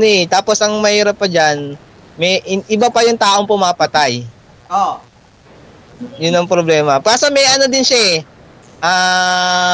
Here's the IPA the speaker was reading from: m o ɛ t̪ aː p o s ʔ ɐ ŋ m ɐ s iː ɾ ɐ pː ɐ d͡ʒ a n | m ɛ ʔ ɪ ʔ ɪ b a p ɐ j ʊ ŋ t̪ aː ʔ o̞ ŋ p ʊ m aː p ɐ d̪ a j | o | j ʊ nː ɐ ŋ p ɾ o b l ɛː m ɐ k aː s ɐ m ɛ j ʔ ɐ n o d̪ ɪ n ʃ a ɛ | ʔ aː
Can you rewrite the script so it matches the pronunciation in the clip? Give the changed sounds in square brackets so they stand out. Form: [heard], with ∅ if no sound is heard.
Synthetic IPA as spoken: [n] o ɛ t̪ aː p o s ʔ ɐ ŋ m ɐ [h] iː ɾ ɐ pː ɐ d͡ʒ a n | m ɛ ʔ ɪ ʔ ɪ b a p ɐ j ʊ ŋ t̪ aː ʔ o̞ ŋ p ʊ m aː p ɐ [t̪] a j | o | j ʊ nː ɐ ŋ p ɾ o b l ɛː m ɐ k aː s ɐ m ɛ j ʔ ɐ n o d̪ ɪ n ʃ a ɛ | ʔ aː